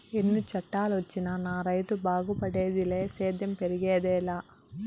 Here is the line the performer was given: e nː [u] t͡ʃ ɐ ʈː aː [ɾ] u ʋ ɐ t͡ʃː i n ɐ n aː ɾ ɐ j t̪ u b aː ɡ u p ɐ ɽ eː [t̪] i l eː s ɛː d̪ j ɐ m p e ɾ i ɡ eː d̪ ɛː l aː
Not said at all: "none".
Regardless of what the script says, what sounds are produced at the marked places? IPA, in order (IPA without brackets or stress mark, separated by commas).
u, l, d̪